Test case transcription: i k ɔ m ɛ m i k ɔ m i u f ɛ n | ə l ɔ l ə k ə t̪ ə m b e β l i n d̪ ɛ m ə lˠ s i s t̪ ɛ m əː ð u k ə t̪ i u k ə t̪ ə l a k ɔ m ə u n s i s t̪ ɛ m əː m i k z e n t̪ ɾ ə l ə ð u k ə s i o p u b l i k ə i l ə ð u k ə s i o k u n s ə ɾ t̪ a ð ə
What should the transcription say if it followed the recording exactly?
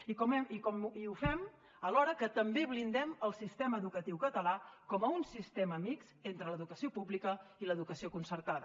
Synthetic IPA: i k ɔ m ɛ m i k ɔ m i u f ɛ m | ə l ɔ ɾ ə k ə t̪ ə m b e β l i n d̪ ɛ m ə lˠ s i s t̪ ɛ m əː ð u k ə t̪ i w k ə t̪ ə l a k ɔ m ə u n s i s t̪ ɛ m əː m i k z e n t̪ ɾ ə l ə ð u k ə s i o p u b l i k ə i l ə ð u k ə s i o k u n s ə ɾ t̪ a ð ə